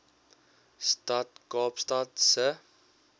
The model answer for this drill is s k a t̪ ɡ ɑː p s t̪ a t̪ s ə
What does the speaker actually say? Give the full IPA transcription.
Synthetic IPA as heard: s t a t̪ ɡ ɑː p s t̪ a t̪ s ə